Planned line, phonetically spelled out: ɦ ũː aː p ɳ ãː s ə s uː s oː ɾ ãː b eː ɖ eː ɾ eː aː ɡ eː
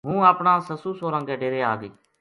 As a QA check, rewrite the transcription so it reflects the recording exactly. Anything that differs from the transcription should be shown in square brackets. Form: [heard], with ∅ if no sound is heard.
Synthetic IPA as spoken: ɦ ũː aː p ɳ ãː s ə s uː s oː ɾ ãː [ɡ] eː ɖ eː ɾ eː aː ɡ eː